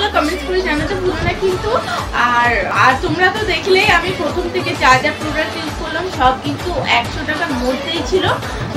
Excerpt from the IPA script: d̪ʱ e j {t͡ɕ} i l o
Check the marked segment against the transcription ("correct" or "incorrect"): incorrect